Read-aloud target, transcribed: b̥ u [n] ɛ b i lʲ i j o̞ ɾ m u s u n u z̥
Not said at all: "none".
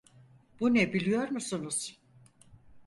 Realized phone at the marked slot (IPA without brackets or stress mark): n